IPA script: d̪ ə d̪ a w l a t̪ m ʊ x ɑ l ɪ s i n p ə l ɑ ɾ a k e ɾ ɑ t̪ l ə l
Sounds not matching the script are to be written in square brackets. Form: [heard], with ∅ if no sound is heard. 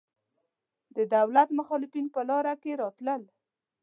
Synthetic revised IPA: d̪ ə d̪ a w l a t̪ m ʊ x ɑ l ɪ [f] i n p ə l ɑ ɾ a k e ɾ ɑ t̪ l ə l

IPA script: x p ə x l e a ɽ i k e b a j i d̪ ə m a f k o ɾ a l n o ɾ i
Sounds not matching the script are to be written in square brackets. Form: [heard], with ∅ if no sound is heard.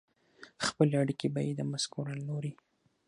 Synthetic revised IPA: x p ə [∅] l e a ɽ i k e b a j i d̪ ə m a [s] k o ɾ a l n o ɾ i

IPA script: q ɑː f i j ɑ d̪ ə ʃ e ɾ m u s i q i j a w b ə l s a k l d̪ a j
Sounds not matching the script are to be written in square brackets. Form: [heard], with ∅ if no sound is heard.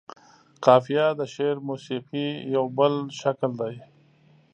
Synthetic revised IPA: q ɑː f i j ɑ d̪ ə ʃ e ɾ m u s i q i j a w b ə l [ʃ] a k l d̪ a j

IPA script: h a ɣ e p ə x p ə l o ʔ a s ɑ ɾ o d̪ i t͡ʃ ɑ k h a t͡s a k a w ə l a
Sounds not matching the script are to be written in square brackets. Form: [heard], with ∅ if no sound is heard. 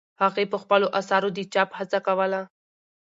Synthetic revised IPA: h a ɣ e p ə x p ə l o ʔ a s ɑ ɾ o d̪ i t͡ʃ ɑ [p] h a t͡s a k a w ə l a

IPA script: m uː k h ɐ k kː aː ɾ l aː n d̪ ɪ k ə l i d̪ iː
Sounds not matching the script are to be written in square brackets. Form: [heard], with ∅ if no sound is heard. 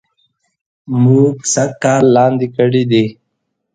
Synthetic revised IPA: m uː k [s] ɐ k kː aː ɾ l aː n d̪ [i] k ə [ɽ] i d̪ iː

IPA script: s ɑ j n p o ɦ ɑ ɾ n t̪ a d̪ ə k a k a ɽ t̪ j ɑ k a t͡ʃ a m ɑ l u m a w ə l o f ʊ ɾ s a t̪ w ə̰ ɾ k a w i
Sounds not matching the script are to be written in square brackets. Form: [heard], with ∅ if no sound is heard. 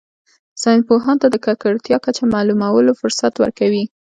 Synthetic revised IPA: s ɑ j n p o ɦ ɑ [∅] n t̪ a d̪ ə k a k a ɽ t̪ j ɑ k a t͡ʃ a m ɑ l u m a w ə l o f ʊ ɾ s a t̪ w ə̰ ɾ k a w i

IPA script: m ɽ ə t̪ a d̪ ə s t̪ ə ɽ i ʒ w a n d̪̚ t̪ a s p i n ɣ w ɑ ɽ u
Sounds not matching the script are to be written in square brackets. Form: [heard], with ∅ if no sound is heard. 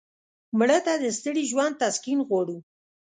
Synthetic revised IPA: m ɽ ə t̪ a d̪ ə s t̪ ə ɽ i ʒ w a n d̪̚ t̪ a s [k] i n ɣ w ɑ ɽ u

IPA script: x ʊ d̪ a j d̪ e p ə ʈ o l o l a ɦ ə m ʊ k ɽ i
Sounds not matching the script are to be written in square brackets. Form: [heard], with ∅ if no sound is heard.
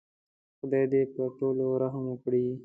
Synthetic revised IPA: x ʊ d̪ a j d̪ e p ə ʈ o l o [ɾ] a ɦ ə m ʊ k ɽ i

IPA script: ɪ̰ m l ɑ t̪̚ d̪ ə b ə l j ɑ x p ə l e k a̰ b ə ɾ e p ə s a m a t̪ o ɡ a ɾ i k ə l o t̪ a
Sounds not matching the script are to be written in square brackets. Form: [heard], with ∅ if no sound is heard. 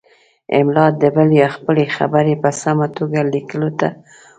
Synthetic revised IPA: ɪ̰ m l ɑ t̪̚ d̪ ə b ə l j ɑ x p ə l e [x] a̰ b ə ɾ e p ə s a m a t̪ o ɡ a [l] i k ə l o t̪ a

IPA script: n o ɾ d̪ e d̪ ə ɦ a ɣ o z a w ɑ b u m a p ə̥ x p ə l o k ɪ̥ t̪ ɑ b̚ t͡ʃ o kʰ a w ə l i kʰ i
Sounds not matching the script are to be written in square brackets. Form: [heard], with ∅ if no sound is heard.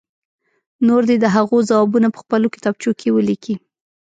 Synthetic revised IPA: n o ɾ d̪ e d̪ ə ɦ a ɣ o z a w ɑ b u [n] a p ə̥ x p ə l o k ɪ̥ t̪ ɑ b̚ t͡ʃ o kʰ [e] w ə l i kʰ i

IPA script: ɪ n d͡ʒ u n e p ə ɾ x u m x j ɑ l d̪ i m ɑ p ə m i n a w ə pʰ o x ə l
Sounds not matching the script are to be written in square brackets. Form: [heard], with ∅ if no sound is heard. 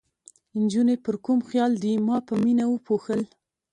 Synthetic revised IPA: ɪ n d͡ʒ u n e p ə ɾ [k] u m x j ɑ l d̪ i m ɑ p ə m i n a w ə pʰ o x ə l

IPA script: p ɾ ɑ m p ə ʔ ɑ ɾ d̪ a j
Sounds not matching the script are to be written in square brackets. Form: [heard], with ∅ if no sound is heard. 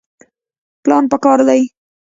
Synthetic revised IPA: p [l] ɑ [n] p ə [k] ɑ ɾ d̪ a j

